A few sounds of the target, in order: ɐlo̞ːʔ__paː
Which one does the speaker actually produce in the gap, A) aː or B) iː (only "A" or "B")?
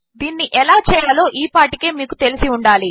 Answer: B